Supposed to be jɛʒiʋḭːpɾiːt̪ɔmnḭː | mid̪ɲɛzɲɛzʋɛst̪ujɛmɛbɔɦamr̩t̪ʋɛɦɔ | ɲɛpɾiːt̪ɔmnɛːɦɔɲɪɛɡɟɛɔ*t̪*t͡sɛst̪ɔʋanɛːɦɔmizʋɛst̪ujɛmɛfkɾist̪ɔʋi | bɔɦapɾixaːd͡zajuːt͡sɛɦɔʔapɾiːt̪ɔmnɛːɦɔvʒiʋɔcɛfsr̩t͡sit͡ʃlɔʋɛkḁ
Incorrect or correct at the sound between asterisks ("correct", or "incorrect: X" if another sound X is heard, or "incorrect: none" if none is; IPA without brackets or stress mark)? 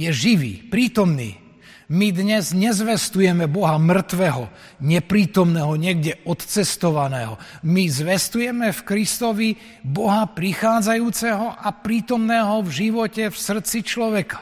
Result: correct